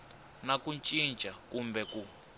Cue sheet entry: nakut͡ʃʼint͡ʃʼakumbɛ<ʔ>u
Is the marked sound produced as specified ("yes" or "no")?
no